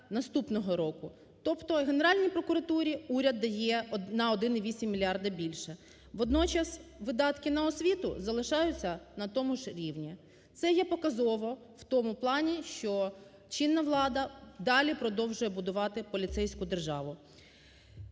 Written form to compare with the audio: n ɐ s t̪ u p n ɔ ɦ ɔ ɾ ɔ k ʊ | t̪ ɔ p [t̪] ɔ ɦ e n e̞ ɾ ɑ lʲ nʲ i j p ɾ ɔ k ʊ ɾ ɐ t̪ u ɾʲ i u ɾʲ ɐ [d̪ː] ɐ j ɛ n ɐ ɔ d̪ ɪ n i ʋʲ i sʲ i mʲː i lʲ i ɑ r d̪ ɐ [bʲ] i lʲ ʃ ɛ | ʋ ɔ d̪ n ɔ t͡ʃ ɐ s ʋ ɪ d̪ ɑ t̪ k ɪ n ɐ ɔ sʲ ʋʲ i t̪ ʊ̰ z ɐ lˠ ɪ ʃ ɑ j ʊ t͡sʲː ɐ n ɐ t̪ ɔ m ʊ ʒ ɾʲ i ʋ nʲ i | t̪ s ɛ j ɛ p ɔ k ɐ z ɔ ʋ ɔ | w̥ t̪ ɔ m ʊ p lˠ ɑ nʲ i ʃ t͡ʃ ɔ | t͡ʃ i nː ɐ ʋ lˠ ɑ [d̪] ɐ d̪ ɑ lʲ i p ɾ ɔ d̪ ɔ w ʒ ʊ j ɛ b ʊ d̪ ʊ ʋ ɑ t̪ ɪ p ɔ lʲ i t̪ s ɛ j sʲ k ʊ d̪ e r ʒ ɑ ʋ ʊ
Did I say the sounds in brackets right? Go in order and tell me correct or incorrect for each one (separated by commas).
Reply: correct, correct, correct, correct